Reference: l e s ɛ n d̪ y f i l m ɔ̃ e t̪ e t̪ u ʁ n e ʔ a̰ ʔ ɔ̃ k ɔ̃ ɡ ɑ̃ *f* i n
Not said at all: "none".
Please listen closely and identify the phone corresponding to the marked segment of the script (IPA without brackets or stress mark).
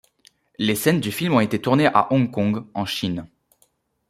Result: ʃ